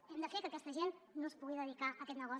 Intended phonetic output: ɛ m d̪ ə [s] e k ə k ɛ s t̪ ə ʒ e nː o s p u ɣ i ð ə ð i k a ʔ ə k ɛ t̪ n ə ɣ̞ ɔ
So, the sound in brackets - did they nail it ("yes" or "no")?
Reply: no